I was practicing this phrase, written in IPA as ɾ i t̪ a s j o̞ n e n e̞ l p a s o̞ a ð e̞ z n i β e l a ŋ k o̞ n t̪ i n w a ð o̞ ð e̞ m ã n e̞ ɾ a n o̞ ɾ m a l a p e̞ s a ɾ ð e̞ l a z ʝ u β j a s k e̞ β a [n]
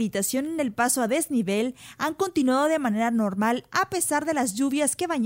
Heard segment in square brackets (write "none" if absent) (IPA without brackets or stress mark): ɲ